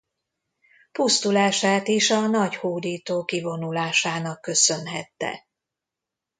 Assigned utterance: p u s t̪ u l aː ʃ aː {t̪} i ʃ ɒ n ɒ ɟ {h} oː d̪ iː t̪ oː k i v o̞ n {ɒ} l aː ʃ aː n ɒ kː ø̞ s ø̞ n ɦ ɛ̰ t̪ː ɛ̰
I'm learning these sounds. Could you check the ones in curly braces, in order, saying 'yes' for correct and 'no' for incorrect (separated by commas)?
yes, yes, no